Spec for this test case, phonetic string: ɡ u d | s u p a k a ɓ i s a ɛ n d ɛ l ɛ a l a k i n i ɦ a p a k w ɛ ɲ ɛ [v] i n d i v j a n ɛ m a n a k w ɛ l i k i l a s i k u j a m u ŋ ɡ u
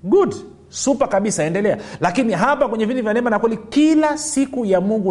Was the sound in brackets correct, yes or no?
yes